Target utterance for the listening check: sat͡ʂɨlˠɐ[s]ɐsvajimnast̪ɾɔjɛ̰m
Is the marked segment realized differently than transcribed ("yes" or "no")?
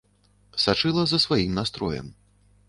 yes